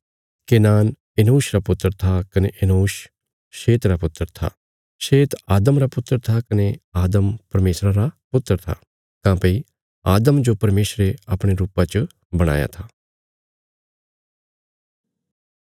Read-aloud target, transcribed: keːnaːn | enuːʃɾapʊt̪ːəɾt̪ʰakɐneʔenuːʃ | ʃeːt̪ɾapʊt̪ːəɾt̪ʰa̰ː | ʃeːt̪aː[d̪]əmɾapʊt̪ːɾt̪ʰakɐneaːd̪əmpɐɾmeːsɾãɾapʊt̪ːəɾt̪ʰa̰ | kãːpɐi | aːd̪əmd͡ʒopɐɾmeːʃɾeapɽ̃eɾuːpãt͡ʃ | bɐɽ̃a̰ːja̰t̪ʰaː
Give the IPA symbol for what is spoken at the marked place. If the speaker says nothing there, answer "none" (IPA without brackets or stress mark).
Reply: d̪